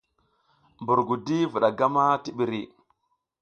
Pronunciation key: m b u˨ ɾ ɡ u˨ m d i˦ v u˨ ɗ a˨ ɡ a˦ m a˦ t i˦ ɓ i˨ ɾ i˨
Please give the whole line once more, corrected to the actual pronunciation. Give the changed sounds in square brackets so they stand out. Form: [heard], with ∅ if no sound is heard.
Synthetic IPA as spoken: m b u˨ ɾ ɡ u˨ [∅] d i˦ v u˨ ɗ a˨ ɡ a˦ m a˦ t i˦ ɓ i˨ ɾ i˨

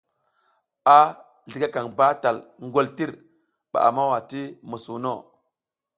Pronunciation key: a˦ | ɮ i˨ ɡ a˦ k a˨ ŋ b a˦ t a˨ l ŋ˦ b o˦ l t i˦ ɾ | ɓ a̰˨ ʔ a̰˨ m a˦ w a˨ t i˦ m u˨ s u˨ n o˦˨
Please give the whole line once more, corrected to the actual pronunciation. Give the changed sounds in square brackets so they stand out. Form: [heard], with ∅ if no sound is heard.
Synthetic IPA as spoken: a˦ | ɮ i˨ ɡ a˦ k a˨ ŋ b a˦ t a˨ l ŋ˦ [ɡ] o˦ l t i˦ ɾ | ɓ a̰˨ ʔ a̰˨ m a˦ w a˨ t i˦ m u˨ s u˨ n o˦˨

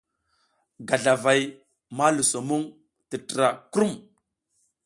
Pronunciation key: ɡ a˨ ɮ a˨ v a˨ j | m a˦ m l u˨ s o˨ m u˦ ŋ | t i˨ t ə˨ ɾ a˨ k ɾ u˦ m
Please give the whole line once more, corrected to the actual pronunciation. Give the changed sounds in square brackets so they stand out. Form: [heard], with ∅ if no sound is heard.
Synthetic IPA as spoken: ɡ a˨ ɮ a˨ v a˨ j | m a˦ [∅] l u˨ s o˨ m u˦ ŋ | t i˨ t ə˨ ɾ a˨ k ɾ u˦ m

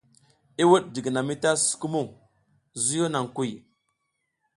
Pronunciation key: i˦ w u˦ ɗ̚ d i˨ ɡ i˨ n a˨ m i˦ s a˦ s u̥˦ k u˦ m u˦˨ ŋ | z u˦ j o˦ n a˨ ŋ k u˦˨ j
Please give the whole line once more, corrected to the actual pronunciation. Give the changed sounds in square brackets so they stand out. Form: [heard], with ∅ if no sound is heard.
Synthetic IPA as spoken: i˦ w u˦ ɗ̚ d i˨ ɡ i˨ n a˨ m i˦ [t] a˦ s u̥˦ k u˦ m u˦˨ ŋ | z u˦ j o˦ n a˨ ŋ k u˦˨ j

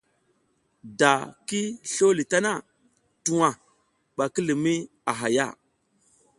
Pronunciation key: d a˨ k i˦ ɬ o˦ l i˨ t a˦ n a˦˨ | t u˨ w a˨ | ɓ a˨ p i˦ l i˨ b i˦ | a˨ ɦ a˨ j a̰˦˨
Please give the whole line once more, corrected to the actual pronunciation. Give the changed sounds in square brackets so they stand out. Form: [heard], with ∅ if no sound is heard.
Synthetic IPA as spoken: d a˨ k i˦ ɬ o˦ l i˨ t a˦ n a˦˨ | t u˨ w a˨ | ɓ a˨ [k] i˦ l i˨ [m] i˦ | a˨ ɦ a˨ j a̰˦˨

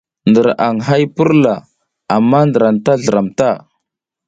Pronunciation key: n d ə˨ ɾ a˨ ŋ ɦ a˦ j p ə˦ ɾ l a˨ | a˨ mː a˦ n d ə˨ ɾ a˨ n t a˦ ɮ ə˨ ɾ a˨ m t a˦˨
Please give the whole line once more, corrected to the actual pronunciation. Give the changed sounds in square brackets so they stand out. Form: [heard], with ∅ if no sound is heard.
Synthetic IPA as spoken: n d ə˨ ɾ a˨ ŋ ɦ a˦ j p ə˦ ɾ l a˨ | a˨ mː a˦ n d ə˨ ɾ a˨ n t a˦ ɮ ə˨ ɾ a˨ m t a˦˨

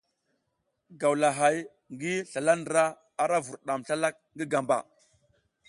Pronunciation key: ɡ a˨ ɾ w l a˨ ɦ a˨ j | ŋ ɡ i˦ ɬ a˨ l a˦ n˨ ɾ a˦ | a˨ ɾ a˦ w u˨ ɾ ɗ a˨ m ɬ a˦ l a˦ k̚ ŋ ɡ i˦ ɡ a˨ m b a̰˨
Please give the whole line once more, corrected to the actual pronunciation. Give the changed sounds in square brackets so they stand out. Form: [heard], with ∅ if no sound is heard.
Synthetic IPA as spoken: ɡ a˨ [∅] w l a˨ ɦ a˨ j | ŋ ɡ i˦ ɬ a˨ l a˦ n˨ ɾ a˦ | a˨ ɾ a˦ [v] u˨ ɾ ɗ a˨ m ɬ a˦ l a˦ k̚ ŋ ɡ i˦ ɡ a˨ m b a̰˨

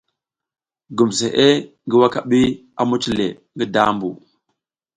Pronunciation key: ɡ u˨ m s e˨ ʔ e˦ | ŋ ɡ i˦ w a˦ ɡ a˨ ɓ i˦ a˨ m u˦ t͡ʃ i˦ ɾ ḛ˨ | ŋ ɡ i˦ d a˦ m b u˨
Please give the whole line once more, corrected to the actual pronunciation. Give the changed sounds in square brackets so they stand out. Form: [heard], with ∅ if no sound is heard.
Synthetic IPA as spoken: ɡ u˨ m s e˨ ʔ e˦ | ŋ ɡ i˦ w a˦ [k] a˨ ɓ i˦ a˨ m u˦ t͡ʃ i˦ [l] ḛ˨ | ŋ ɡ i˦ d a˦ m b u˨

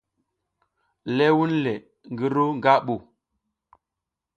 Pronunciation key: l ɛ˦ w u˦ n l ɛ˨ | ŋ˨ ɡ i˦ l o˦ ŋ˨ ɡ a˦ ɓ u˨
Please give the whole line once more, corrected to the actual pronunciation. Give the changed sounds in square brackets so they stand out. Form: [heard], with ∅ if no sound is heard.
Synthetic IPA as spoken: l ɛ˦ w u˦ n l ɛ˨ | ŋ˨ ɡ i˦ [ɾ] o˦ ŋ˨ ɡ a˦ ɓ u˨

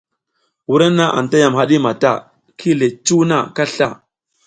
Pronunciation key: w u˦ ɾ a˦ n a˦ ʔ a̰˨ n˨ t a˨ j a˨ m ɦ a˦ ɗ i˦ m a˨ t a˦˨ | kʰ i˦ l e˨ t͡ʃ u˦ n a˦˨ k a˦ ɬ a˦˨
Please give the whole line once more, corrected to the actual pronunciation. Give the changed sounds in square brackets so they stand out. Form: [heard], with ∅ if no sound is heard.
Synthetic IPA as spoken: w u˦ ɾ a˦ n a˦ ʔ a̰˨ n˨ t [a˦] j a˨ m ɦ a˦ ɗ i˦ m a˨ t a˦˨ | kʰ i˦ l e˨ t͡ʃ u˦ n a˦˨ k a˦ ɬ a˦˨

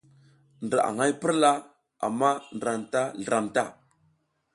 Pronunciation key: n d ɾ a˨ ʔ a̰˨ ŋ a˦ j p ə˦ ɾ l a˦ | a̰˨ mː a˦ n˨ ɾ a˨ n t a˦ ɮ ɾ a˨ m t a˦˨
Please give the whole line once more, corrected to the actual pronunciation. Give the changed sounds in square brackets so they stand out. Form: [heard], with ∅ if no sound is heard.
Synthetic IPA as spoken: n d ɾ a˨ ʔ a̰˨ ŋ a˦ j p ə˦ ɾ l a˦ | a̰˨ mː a˦ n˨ ɾ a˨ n t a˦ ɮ ɾ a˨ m t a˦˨

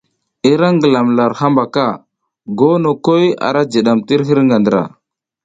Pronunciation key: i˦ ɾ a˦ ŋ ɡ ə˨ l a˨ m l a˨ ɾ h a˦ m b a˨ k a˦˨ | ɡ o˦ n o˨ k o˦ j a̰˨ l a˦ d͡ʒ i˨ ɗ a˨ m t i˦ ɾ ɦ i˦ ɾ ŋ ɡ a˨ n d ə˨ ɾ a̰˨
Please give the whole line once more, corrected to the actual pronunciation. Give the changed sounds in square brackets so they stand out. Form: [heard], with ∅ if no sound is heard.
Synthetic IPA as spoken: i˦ ɾ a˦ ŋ ɡ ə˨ l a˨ m l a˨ ɾ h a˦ m b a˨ k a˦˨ | ɡ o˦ n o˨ k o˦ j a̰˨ [ɾ] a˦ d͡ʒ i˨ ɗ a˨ m t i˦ ɾ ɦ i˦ ɾ ŋ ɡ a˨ n d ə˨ ɾ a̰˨

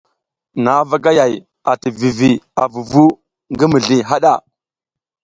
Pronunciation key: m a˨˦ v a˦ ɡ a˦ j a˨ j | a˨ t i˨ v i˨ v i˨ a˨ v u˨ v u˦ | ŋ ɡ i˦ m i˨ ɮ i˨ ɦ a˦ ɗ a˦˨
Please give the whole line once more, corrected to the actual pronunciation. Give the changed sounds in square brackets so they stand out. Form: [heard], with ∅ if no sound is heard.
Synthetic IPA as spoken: [n] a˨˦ v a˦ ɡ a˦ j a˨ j | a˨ t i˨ v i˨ v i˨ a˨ v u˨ v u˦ | ŋ ɡ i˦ m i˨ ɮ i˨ ɦ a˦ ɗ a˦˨

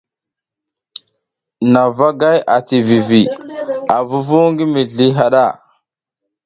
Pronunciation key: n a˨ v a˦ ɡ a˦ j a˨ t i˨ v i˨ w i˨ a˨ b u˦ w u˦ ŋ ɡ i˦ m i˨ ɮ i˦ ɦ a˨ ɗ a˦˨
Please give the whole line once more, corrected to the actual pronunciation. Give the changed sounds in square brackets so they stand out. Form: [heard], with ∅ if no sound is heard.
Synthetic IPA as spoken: n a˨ v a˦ ɡ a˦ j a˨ t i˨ v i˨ [v] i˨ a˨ [v] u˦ [v] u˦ ŋ ɡ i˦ m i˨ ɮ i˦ ɦ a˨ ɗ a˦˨

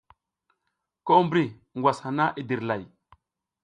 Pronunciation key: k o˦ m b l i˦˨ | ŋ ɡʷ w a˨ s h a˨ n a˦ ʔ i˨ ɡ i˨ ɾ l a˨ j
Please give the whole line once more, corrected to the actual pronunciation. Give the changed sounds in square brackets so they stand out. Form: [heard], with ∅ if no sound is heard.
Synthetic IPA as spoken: k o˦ m b [ɾ] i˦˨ | ŋ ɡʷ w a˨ s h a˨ n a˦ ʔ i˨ [d] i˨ ɾ l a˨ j

